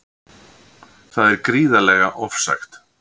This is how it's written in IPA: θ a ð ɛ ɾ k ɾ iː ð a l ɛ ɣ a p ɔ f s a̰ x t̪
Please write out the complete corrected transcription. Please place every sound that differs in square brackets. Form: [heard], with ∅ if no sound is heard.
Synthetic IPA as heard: θ a ð ɛ ɾ k ɾ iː ð a l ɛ ɣ a [ʔ] ɔ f s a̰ x t̪